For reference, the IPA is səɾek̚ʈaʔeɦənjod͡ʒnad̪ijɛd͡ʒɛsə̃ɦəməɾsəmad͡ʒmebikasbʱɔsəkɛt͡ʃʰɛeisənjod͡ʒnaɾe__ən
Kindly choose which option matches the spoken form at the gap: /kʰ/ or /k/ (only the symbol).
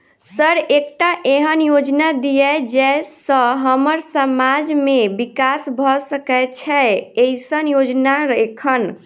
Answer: kʰ